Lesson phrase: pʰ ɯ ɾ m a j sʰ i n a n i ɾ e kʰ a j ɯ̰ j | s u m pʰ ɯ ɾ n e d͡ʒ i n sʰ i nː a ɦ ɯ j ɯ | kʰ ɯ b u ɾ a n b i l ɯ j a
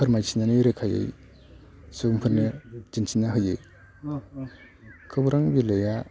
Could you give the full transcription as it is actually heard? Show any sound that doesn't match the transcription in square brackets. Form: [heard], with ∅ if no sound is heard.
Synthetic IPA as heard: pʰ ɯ ɾ m a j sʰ i n a n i ɾ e kʰ a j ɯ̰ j | s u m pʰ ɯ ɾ n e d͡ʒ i n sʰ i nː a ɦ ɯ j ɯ | kʰ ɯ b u ɾ a [ŋ] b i l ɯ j a